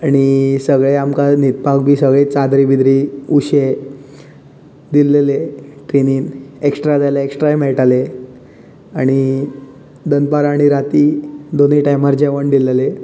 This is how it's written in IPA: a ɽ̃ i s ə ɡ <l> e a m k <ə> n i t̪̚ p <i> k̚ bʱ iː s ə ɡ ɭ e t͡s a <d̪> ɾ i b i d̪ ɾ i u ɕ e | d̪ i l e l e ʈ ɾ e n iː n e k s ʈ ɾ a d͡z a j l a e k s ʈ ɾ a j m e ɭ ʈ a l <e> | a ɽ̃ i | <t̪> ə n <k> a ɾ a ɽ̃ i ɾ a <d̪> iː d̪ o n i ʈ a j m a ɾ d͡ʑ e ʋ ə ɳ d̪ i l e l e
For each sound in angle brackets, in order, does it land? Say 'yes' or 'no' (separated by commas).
no, no, no, yes, yes, no, no, no